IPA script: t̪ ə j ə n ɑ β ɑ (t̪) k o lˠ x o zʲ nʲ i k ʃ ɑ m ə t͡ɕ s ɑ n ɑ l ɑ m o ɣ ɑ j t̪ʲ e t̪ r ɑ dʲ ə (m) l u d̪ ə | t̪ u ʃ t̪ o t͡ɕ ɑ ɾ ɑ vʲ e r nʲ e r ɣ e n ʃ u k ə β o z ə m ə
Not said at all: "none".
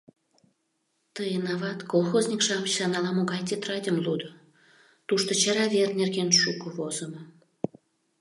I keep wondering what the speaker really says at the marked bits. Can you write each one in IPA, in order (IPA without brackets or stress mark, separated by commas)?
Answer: t̪, m